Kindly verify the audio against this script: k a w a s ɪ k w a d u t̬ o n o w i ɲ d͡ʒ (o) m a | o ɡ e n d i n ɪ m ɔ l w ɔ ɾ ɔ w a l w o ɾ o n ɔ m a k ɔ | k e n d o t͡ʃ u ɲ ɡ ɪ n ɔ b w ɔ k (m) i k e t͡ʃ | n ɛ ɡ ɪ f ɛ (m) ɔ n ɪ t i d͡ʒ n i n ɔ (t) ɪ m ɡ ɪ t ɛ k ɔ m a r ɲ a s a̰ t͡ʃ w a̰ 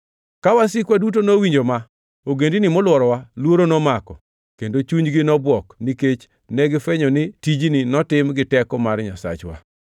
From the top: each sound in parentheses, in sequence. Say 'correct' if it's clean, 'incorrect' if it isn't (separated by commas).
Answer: correct, incorrect, incorrect, correct